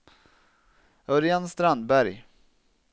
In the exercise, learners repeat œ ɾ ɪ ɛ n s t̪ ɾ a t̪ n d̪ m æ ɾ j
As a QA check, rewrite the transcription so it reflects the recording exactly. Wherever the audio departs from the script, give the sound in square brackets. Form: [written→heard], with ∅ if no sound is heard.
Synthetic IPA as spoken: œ ɾ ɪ [ɛ→a] n s t̪ ɾ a [t̪→∅] n d̪ [m→b] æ ɾ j

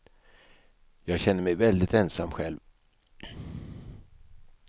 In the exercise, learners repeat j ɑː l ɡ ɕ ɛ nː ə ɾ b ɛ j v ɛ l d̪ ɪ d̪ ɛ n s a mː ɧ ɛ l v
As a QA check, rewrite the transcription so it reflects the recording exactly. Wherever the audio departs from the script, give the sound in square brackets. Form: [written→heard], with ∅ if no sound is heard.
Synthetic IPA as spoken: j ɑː [l→∅] ɡ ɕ ɛ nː ə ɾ [b→m] ɛ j v ɛ l d̪ ɪ [d̪→t̪] ɛ n s a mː ɧ ɛ l v

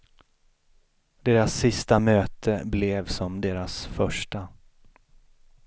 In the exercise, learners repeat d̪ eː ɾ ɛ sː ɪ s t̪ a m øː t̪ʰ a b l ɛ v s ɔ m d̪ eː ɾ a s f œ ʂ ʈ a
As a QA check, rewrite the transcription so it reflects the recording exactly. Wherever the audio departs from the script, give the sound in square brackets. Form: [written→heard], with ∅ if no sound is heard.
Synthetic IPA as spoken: d̪ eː ɾ [ɛ→a] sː ɪ s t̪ a m øː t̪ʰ [a→ə] b l ɛ v s ɔ m d̪ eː ɾ a s f œ ʂ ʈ a

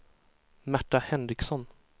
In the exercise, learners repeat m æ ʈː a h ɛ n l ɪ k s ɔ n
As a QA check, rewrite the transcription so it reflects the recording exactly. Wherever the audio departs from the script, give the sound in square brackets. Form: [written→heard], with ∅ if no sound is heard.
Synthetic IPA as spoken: m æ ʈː a h ɛ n [l→ɾ] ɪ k s ɔ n

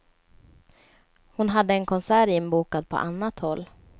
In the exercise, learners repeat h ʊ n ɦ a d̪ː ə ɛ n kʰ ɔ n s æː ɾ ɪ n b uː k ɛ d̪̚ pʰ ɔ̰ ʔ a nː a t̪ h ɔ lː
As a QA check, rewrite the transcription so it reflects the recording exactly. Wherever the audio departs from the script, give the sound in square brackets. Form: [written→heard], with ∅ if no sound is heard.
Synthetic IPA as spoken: h ʊ n ɦ a d̪ː ə ɛ n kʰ ɔ n s æː ɾ ɪ n b uː k [ɛ→a] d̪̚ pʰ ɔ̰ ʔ a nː a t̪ h ɔ lː

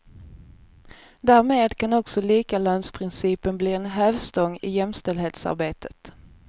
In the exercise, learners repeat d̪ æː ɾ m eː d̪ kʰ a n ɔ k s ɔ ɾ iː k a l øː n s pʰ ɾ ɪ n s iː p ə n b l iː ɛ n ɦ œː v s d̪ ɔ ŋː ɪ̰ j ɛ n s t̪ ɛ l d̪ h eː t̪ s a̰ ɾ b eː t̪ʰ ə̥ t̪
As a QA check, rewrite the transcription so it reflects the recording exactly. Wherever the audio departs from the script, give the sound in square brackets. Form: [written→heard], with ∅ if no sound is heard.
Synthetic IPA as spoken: d̪ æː ɾ m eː d̪ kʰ a n ɔ k s ɔ [ɾ→l] iː k a l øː n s pʰ ɾ ɪ n s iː p ə n b l iː ɛ n ɦ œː v s [d̪→t̪] ɔ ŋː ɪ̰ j ɛ [n→m] s t̪ ɛ l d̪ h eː t̪ s a̰ ɾ b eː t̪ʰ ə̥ t̪

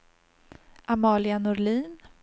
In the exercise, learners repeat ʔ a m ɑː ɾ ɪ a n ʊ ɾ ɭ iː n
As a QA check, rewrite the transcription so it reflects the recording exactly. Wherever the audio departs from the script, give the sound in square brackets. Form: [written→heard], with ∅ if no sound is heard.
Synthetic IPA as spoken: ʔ a m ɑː [ɾ→l] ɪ a n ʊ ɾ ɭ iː n

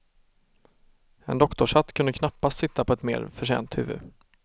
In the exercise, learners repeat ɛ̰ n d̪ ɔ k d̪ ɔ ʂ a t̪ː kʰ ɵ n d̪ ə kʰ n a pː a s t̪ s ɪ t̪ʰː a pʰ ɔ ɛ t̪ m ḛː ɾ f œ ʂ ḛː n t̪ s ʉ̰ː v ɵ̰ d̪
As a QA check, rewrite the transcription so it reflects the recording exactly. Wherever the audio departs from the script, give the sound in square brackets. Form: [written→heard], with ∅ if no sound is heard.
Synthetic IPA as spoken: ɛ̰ n d̪ ɔ k [d̪→t̪] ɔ ʂ a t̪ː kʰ ɵ n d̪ ə kʰ n a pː a s t̪ s ɪ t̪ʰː a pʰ ɔ ɛ t̪ m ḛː ɾ f œ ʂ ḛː n t̪ [s→h] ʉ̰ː v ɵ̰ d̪

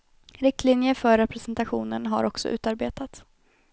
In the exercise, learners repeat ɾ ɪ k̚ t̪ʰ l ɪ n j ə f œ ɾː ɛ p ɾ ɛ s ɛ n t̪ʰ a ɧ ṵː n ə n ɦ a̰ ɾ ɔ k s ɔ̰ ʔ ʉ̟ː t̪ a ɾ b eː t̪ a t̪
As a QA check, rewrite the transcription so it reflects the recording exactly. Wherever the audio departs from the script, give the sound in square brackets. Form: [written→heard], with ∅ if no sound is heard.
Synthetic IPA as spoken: ɾ ɪ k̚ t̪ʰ l ɪ n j ə f œ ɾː ɛ p ɾ ɛ s ɛ n [t̪ʰ→t̪] a ɧ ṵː n ə n ɦ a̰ ɾ ɔ k s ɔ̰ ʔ ʉ̟ː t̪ a ɾ b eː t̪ a t̪

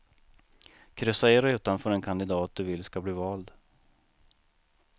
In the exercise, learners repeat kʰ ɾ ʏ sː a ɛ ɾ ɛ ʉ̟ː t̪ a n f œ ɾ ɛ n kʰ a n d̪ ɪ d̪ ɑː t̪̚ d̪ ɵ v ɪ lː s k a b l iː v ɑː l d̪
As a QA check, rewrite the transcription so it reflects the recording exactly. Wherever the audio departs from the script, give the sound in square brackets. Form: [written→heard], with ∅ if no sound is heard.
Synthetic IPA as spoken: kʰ ɾ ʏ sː a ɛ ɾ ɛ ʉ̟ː t̪ a n f [œ→œː] ɾ ɛ n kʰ a n d̪ ɪ d̪ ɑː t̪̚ d̪ ɵ v ɪ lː s k a b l iː v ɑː l d̪

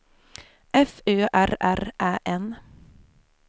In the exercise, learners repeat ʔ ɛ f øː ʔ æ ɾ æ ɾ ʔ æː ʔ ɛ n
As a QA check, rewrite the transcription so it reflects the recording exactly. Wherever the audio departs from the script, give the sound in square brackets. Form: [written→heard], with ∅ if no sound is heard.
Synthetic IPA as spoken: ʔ ɛ f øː ʔ æ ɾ æ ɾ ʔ æː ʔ ɛ n

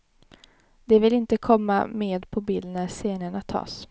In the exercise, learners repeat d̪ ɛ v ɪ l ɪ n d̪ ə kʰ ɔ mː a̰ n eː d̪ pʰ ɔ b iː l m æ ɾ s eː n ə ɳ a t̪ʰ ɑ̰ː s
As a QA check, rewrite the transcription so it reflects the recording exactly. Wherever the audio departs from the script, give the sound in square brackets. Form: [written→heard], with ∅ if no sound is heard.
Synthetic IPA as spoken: d̪ ɛ v ɪ l ɪ n [d̪→t̪] ə kʰ ɔ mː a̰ [n→m] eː d̪ pʰ ɔ b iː l [m→n] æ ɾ s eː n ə ɳ a t̪ʰ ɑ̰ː s

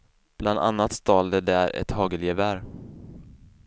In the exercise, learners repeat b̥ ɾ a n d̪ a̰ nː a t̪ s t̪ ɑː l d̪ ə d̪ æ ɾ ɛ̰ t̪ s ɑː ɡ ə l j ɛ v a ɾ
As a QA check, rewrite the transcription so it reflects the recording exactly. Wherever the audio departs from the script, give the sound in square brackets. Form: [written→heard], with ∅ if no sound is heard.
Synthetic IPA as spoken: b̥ [ɾ→l] a n d̪ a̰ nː a t̪ s t̪ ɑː l d̪ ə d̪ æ ɾ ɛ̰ t̪ [s→h] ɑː ɡ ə l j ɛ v [a→æ] ɾ

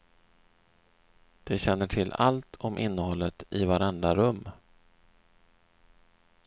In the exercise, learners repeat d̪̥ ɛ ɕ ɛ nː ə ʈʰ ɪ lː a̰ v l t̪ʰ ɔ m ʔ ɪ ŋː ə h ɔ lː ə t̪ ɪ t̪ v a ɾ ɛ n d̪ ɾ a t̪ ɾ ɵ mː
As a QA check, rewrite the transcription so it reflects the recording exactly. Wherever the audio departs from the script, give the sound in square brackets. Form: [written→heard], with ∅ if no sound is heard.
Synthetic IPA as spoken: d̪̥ ɛ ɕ ɛ nː ə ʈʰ ɪ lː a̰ [v→∅] l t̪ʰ ɔ m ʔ ɪ [ŋː→nː] ə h ɔ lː ə t̪ ɪ [t̪→∅] v a ɾ ɛ n d̪ ɾ a [t̪→∅] ɾ ɵ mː

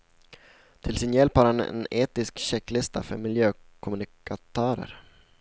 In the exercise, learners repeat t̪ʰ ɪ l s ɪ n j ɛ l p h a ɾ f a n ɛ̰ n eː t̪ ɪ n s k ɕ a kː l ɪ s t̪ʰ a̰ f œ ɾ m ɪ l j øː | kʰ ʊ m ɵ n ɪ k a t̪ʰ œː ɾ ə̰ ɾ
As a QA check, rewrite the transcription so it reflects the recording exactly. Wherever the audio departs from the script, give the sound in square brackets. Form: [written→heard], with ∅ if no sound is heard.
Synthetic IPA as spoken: t̪ʰ ɪ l s ɪ n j ɛ l p h a ɾ [f→h] a n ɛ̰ n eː t̪ ɪ [n→∅] s k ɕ [a→ɛ] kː l ɪ s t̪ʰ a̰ f œ ɾ m ɪ l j øː | kʰ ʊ m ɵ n ɪ k a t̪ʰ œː ɾ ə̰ ɾ

